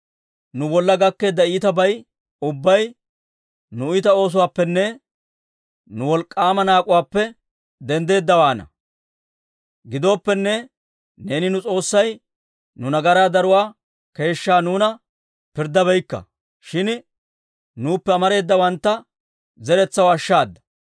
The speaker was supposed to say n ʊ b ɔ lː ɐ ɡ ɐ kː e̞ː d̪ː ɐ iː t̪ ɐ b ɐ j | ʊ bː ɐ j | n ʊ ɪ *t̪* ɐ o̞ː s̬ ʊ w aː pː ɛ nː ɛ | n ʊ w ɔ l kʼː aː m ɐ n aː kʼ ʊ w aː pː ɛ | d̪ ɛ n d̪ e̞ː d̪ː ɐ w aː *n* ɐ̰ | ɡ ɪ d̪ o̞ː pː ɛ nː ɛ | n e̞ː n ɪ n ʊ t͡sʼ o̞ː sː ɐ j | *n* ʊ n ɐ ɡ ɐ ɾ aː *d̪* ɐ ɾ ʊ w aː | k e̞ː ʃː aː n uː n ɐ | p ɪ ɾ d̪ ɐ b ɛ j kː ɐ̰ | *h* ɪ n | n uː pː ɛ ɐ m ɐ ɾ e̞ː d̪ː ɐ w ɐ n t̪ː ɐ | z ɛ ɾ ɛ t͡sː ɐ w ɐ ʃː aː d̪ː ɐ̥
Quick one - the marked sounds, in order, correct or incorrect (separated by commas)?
correct, correct, correct, correct, incorrect